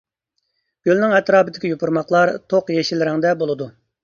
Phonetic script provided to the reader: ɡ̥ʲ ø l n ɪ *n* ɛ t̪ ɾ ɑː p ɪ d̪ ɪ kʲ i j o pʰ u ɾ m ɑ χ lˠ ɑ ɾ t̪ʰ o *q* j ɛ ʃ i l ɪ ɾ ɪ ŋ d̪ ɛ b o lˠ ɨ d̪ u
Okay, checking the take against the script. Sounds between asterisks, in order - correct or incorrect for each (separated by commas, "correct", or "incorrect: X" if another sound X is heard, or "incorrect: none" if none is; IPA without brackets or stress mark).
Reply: incorrect: ŋ, correct